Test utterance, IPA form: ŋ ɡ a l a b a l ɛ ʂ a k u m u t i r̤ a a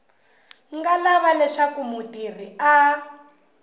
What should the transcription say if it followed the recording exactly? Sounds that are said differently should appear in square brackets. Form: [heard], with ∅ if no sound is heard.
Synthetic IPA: ŋ ɡ a l a [β] a l ɛ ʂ a k u m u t i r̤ [i] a